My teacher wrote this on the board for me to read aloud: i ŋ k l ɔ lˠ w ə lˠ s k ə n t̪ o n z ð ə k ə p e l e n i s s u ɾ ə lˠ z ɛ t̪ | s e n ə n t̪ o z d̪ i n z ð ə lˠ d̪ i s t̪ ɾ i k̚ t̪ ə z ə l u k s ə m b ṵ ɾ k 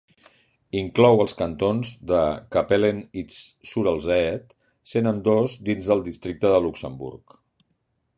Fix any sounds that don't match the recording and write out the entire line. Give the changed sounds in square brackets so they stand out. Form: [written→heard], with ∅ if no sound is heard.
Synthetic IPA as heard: i ŋ k l ɔ [lˠ→∅] w ə lˠ s k ə n t̪ o n z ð ə k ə p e l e n i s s u ɾ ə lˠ z ɛ t̪ | s e n ə n [t̪→d̪] o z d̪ i n z ð ə lˠ d̪ i s t̪ ɾ i k̚ t̪ ə [z→ð] ə l u k s ə m b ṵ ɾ k